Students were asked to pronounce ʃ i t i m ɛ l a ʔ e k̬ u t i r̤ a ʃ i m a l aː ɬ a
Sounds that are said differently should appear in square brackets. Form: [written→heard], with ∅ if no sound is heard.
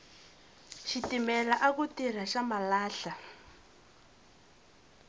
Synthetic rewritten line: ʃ i t i m ɛ l a ʔ [e→a] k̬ u t i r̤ a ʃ [i→a] m a l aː ɬ a